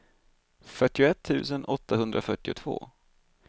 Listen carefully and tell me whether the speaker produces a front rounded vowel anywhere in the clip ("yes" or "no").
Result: yes